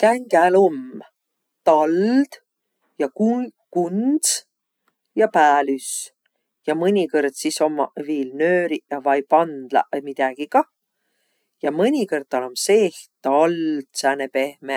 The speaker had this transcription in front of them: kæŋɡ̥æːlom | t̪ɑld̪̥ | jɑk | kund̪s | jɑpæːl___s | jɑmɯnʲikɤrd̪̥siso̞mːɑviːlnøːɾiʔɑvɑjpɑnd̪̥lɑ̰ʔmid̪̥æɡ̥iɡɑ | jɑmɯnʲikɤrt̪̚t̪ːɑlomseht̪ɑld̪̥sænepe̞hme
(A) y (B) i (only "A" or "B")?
A